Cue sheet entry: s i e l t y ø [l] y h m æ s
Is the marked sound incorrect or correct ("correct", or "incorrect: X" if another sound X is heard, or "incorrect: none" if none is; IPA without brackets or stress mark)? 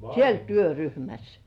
incorrect: r